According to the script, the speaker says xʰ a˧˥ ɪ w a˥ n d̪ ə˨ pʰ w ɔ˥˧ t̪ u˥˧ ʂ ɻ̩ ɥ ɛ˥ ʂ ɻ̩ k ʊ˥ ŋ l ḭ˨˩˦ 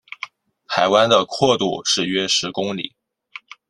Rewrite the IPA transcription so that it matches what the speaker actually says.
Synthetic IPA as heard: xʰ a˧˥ ɪ w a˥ n d̪ ə˨ kʰ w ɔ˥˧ t̪ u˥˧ ʂ ɻ̩ ɥ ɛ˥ ʂ ɻ̩ k ʊ˥ ŋ l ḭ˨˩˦